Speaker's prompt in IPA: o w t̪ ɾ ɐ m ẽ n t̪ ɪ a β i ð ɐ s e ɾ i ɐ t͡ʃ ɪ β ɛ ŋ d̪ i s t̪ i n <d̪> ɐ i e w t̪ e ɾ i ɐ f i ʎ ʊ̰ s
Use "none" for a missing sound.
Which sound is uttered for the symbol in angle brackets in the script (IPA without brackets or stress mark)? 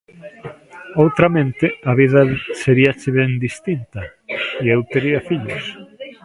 t̪